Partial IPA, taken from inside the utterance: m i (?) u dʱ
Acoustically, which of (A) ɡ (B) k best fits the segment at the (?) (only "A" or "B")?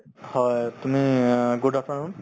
A